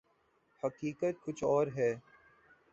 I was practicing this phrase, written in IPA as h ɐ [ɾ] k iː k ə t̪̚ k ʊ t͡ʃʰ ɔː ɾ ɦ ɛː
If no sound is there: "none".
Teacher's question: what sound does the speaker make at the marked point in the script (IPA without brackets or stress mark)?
none